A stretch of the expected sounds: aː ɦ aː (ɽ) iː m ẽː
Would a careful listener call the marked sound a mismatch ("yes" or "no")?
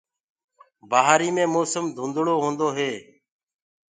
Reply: yes